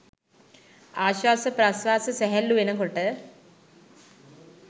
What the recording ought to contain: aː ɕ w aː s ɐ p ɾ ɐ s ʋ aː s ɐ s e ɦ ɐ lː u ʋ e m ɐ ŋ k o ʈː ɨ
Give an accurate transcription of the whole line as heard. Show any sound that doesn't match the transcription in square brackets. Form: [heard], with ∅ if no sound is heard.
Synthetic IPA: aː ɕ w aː s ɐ p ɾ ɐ s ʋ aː s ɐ s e ɦ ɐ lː u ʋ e [n] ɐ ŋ k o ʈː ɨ